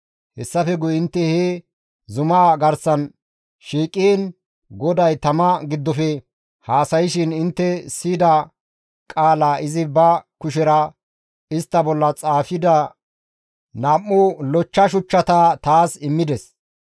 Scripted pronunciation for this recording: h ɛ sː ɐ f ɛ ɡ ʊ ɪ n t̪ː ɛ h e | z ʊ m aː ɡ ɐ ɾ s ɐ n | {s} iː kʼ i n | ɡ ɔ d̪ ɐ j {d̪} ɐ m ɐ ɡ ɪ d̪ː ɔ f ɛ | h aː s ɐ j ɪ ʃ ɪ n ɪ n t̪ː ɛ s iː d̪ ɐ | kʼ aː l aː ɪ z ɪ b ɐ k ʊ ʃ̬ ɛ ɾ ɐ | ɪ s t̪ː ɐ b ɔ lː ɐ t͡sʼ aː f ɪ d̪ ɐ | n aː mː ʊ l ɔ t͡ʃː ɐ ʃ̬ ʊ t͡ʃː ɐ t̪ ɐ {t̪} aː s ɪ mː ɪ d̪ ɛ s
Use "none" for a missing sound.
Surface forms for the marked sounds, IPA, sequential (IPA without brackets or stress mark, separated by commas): ʃ, t̪, t̪